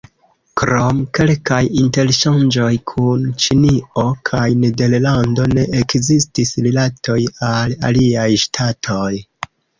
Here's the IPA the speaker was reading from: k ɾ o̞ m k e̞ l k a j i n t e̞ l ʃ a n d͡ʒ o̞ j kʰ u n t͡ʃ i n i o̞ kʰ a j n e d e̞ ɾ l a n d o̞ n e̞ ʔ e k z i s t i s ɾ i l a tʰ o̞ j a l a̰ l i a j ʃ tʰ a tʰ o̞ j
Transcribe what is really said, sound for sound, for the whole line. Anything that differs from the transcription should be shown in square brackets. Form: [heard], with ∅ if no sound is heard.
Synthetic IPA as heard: k ɾ o̞ m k e̞ l k a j i n t e̞ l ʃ a n d͡ʒ o̞ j kʰ u n t͡ʃ i n i o̞ kʰ a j n e d e̞ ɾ l a n d o̞ n e̞ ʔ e k z i s t i s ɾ i l a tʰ o̞ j a l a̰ l i a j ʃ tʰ a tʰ o̞ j